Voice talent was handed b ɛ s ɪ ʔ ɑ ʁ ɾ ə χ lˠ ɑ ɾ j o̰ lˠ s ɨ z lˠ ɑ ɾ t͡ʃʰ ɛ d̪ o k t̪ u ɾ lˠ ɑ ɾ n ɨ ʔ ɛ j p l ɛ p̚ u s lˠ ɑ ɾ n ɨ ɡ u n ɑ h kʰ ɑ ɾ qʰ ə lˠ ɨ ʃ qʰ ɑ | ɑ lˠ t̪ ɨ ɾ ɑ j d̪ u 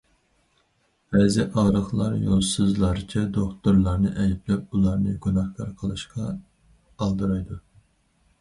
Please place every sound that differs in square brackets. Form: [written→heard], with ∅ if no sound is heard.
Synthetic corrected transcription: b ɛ [s→z] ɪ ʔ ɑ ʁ ɾ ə χ lˠ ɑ ɾ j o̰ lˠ s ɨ z lˠ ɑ ɾ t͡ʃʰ ɛ d̪ o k t̪ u ɾ lˠ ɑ ɾ n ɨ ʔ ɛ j p l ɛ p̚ u [s→∅] lˠ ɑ ɾ n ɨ ɡ u n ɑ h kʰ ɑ ɾ qʰ ə lˠ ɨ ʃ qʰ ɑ | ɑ lˠ [t̪→d̪] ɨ ɾ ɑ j d̪ u